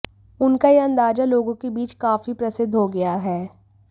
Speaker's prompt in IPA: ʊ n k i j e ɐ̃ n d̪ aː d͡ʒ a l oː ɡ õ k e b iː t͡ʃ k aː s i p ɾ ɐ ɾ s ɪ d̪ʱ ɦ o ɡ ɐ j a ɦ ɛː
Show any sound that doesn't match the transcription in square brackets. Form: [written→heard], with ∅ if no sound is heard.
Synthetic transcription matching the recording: ʊ n k [i→a] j e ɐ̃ n d̪ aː d͡ʒ a l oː ɡ õ k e b iː t͡ʃ k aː [s→f] i p ɾ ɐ [ɾ→∅] s ɪ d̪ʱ ɦ o ɡ ɐ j a ɦ ɛː